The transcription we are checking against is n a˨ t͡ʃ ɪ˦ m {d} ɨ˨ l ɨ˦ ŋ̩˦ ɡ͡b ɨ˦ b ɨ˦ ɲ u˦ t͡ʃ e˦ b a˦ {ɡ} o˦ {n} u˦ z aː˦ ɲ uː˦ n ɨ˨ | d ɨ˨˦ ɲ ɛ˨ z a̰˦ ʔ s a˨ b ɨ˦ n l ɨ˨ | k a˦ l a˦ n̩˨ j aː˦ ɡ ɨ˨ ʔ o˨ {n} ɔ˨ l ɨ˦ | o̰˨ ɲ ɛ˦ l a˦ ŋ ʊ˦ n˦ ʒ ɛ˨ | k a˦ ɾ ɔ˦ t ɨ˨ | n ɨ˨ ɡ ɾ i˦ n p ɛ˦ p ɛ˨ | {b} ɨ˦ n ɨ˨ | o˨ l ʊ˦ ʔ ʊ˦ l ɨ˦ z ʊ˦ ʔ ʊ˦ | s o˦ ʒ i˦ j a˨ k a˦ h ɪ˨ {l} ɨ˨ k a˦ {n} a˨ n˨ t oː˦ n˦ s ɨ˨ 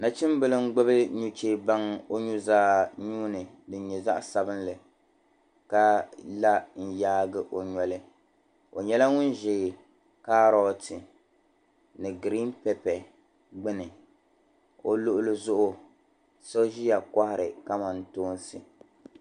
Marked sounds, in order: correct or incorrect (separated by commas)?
incorrect, incorrect, incorrect, incorrect, incorrect, incorrect, incorrect